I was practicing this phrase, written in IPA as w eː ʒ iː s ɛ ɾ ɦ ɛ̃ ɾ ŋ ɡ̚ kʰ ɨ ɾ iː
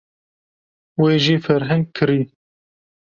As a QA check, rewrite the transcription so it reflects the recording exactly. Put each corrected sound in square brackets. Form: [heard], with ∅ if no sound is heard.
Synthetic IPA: w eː ʒ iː [f] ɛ ɾ ɦ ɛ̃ [∅] ŋ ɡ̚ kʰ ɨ ɾ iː